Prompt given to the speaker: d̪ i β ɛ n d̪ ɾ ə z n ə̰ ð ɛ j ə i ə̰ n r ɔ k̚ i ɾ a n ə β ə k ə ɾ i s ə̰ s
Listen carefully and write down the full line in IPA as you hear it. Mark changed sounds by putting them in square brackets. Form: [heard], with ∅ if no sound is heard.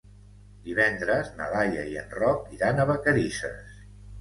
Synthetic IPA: d̪ i β ɛ n d̪ ɾ ə z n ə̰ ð [a] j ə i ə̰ n r ɔ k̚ i ɾ a n ə β ə k ə ɾ i s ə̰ s